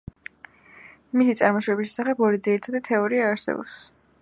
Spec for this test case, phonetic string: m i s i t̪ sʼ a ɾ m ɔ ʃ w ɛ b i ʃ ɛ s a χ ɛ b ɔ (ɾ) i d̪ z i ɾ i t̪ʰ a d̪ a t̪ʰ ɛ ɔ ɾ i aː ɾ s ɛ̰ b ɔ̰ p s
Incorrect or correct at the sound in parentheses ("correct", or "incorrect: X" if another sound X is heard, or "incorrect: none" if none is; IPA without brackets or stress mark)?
correct